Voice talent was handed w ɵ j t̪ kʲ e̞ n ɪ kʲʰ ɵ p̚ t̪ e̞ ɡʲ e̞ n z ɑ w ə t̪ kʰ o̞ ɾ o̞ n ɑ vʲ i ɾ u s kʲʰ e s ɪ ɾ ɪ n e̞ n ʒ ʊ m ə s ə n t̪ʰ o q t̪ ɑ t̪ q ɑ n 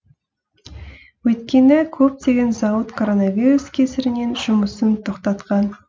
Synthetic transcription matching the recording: w ɵ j t̪ kʲ e̞ n ɪ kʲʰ ɵ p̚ t̪ e̞ ɡʲ e̞ n z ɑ w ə t̪ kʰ o̞ ɾ o̞ n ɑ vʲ i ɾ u s kʲʰ e s ɪ ɾ ɪ n e̞ n ʒ ʊ m ə s ə n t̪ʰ o q t̪ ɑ t̪ q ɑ n